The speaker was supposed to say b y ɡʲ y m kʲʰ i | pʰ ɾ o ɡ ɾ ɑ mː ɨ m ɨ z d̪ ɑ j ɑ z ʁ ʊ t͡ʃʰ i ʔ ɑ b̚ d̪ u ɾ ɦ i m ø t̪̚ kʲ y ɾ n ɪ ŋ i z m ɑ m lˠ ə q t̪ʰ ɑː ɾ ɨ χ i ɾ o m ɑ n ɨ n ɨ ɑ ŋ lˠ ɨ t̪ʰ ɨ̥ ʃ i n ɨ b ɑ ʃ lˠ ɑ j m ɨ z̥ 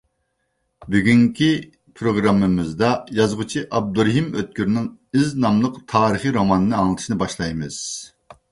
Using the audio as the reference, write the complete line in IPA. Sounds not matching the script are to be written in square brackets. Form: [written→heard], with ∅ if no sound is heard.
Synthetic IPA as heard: b y ɡʲ y [m→ŋ] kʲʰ i | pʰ ɾ o ɡ ɾ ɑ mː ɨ m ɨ z d̪ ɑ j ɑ z ʁ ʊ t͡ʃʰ i ʔ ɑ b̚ d̪ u ɾ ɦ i m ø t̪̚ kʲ y ɾ n ɪ ŋ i z [m→n] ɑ m lˠ ə q t̪ʰ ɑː ɾ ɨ χ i ɾ o m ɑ n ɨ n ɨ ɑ ŋ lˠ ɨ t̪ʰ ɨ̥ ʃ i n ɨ b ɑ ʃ lˠ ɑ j m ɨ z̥